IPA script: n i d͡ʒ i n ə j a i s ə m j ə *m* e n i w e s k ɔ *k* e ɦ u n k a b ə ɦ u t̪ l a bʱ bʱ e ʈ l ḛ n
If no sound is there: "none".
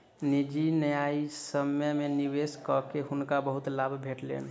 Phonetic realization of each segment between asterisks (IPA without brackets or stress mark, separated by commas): m, k